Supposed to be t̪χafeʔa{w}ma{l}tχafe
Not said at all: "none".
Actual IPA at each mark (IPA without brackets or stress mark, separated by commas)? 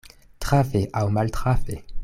w, l